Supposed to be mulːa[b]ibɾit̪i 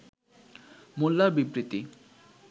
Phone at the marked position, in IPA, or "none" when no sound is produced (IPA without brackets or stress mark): b